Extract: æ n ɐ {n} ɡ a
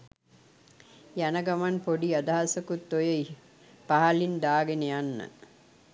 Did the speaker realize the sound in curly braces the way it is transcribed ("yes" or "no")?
no